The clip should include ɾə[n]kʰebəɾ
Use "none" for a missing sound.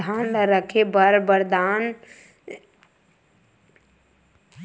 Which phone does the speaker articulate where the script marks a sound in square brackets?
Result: none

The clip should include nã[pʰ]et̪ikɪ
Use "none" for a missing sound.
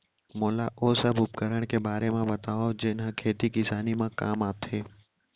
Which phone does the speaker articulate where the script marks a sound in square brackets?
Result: kʰ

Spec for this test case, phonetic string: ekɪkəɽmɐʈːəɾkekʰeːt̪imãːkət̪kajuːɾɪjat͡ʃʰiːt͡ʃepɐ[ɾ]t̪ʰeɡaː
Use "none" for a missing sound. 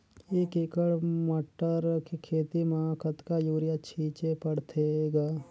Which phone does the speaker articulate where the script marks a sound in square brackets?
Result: ɽ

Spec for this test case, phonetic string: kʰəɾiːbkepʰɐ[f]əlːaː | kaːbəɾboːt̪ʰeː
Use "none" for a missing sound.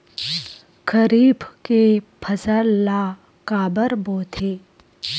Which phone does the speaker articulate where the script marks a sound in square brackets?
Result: s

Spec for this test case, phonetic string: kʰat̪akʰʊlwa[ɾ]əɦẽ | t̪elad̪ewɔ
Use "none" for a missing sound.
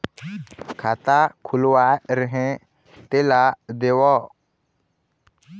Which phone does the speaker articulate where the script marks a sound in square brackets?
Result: ɾ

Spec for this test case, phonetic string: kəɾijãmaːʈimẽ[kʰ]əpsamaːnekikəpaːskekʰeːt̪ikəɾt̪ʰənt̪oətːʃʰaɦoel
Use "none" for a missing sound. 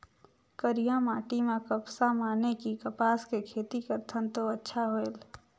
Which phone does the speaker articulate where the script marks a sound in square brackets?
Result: k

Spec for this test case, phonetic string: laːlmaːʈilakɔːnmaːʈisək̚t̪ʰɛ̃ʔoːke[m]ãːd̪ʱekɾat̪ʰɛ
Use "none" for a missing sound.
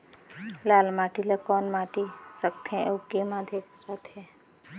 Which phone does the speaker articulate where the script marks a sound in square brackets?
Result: m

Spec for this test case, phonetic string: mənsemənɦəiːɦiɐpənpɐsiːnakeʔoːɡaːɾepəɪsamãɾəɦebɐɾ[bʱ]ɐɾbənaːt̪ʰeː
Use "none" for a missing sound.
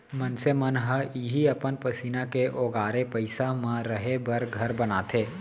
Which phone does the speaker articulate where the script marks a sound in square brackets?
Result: ɡʱ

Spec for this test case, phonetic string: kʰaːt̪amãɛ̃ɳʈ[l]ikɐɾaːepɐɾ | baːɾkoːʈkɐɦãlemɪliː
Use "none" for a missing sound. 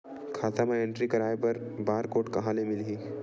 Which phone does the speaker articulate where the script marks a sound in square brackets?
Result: ɾ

